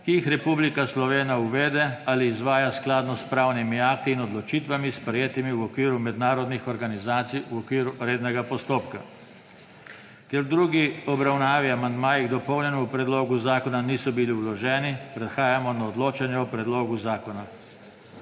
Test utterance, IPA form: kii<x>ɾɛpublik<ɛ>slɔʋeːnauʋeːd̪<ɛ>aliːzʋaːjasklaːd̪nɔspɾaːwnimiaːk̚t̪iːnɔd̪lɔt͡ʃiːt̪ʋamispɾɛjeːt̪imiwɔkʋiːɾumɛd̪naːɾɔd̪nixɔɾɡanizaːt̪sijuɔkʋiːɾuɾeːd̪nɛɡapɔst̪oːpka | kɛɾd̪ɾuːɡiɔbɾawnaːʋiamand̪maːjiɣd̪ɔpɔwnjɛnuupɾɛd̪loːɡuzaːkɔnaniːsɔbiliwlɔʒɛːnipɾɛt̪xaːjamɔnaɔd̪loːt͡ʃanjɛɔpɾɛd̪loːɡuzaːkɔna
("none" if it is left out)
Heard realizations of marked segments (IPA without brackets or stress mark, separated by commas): x, a, ɛ